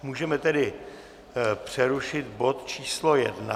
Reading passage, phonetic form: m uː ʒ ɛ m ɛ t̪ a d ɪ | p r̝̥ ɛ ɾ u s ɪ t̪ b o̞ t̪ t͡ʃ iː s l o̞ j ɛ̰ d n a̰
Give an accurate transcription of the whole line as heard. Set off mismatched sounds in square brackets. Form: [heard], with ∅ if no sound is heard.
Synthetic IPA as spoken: m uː ʒ ɛ m ɛ t̪ [ɛ] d ɪ | p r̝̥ ɛ ɾ u [ʃ] ɪ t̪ b o̞ t̪ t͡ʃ iː s l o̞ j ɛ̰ d n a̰